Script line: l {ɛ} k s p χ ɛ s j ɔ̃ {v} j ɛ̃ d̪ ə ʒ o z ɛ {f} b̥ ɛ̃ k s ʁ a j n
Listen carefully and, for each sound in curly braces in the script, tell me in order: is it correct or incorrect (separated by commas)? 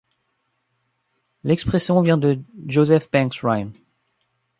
correct, correct, correct